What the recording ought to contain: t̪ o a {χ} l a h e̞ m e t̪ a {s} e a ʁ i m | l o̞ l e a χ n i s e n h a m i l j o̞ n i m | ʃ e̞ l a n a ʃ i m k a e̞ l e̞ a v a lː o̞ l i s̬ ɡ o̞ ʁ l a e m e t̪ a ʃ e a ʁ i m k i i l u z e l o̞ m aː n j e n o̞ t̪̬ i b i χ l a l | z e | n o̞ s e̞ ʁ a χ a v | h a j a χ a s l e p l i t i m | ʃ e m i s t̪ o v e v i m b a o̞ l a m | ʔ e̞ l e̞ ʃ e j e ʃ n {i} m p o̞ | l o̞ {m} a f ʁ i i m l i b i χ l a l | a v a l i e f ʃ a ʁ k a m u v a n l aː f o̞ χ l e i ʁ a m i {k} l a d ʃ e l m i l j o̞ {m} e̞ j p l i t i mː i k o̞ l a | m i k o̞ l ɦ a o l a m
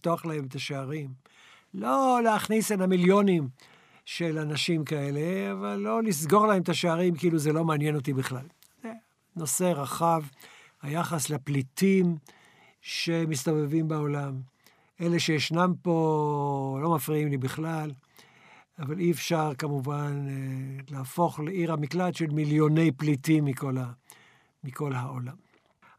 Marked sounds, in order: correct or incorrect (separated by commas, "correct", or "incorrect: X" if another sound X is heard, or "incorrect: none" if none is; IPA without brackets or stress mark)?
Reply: correct, incorrect: ʃ, incorrect: a, correct, correct, incorrect: n